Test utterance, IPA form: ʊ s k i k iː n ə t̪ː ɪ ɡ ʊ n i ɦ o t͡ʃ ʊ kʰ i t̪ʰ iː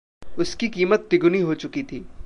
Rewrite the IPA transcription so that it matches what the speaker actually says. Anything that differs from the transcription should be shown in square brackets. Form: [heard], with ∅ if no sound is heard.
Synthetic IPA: ʊ s k i k iː [m] ə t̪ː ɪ ɡ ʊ n i ɦ o t͡ʃ ʊ [k] i t̪ʰ iː